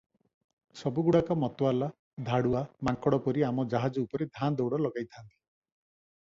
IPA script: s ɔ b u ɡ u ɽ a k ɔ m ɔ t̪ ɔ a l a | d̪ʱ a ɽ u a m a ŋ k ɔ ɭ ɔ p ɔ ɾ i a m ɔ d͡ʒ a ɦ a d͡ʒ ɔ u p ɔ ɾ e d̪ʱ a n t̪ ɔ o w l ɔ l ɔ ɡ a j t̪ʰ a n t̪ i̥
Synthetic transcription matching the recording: s ɔ b u ɡ u ɽ a k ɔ m ɔ t̪ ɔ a l a | d̪ʱ a ɽ u a m a ŋ k ɔ ɽ ɔ p ɔ ɾ i a m ɔ d͡ʒ a ɦ a d͡ʒ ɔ u p ɔ ɾ e d̪ʱ a n d̪ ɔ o w ɽ ɔ l ɔ ɡ a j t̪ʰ a n t̪ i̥